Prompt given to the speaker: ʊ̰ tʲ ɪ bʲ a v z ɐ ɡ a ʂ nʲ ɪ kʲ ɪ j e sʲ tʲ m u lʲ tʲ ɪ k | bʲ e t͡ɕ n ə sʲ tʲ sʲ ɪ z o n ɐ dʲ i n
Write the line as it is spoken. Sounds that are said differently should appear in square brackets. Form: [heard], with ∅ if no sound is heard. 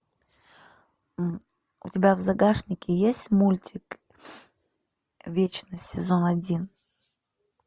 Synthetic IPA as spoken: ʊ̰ tʲ ɪ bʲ a v z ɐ ɡ a ʂ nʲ ɪ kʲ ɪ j e sʲ tʲ m u lʲ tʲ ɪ k | [vʲ] e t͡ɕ n ə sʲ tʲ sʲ ɪ z o n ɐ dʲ i n